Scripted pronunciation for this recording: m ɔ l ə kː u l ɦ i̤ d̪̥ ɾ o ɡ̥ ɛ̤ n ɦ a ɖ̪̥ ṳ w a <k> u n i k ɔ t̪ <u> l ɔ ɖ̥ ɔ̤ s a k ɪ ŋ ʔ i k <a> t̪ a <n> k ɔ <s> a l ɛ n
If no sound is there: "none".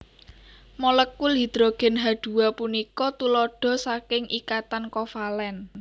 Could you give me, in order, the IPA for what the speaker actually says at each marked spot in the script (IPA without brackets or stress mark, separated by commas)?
p, u, a, n, f